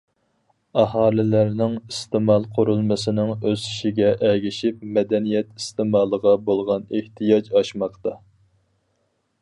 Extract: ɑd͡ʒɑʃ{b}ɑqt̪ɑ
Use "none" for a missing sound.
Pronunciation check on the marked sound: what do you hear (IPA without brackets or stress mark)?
m